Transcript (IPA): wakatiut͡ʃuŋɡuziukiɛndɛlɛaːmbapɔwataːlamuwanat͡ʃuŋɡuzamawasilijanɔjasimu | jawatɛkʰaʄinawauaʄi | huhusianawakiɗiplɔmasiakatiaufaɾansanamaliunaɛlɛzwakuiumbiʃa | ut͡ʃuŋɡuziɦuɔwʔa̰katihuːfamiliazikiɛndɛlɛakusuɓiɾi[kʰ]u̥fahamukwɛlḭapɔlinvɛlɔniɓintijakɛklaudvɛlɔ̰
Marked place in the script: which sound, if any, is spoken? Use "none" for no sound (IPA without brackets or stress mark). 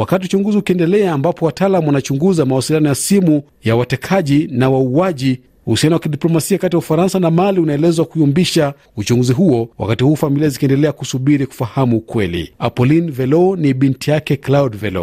k